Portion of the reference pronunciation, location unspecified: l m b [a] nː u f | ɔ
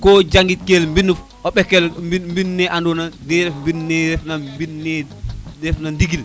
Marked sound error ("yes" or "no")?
yes